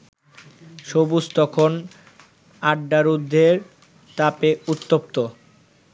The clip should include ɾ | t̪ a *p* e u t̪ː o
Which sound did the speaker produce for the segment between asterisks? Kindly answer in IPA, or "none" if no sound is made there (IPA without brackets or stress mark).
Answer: p